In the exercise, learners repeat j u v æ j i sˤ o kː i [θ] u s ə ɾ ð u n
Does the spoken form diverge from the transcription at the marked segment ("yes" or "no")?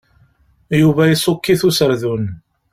no